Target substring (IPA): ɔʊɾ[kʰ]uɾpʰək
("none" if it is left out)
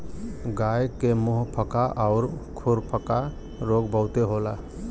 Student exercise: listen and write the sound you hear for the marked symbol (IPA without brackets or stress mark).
kʰ